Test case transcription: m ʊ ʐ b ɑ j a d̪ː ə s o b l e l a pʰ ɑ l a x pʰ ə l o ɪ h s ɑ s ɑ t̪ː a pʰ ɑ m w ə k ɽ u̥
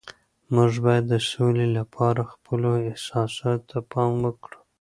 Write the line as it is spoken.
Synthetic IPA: m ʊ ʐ b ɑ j a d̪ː ə s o l e l a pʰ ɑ ɾ a x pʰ ə l o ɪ h s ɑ s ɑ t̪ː a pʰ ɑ m w ə k ɽ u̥